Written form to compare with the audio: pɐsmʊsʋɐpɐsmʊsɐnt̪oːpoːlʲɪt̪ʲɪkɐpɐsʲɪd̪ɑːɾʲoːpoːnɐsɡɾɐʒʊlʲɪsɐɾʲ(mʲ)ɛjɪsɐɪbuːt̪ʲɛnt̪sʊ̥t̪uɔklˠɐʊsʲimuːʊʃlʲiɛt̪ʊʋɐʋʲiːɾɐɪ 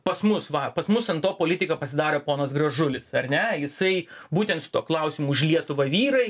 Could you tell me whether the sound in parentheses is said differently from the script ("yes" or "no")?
yes